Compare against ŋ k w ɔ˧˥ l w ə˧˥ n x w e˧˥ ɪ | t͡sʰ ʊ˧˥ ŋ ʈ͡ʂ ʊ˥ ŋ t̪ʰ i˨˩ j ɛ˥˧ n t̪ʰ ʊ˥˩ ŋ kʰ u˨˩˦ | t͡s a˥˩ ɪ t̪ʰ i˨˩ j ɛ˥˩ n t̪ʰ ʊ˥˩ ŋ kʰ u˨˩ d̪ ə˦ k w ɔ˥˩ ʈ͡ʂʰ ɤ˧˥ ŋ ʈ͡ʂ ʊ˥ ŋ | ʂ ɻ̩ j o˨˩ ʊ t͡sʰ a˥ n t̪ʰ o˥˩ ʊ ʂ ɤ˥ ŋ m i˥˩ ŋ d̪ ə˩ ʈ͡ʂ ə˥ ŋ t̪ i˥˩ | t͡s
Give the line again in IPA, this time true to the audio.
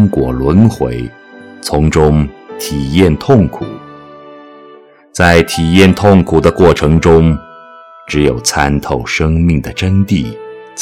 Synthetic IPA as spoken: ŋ k w ɔ˨˩ l w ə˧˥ n x w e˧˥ ɪ | t͡sʰ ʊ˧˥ ŋ ʈ͡ʂ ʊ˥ ŋ t̪ʰ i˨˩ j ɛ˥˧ n t̪ʰ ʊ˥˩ ŋ kʰ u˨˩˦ | t͡s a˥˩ ɪ t̪ʰ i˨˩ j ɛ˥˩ n t̪ʰ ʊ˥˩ ŋ kʰ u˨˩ d̪ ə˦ k w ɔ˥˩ ʈ͡ʂʰ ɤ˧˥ ŋ ʈ͡ʂ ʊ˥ ŋ | ʈ͡ʂ ɻ̩ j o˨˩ ʊ t͡sʰ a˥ n t̪ʰ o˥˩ ʊ ʂ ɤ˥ ŋ m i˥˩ ŋ d̪ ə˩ ʈ͡ʂ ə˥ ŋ t̪ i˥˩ | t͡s